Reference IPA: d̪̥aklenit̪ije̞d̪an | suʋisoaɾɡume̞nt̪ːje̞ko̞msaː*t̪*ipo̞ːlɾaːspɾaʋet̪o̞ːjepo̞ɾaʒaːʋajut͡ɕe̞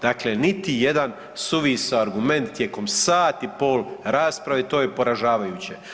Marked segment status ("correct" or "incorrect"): correct